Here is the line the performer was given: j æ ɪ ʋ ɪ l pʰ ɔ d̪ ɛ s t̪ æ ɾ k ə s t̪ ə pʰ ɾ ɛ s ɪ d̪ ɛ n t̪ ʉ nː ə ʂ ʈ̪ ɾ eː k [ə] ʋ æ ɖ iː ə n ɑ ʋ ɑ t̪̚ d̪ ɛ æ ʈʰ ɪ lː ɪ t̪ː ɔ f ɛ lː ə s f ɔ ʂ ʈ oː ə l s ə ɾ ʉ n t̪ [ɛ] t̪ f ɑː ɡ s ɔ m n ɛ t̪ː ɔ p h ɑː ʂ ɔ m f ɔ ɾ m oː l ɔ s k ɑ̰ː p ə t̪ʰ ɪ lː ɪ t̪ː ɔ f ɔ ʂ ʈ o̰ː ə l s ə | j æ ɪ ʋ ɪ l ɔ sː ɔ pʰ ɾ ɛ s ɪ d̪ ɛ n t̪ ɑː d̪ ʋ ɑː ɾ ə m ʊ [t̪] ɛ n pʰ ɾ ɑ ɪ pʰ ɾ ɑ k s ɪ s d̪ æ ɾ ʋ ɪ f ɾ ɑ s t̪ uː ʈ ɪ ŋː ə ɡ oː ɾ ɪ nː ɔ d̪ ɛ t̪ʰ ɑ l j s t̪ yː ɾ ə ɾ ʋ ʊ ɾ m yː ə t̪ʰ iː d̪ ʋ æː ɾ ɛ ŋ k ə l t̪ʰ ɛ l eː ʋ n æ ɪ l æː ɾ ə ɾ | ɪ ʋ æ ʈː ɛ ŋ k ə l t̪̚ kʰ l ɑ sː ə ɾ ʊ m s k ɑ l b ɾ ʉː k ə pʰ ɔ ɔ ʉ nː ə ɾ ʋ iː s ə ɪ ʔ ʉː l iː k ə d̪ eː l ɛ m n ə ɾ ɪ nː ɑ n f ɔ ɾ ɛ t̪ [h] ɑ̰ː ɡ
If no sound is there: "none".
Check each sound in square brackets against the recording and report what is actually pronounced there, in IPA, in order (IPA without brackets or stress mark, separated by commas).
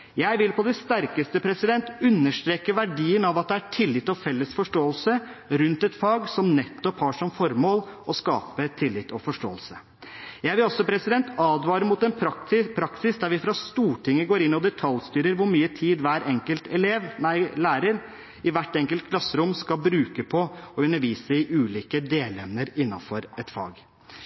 ə, ɛ, t̪, f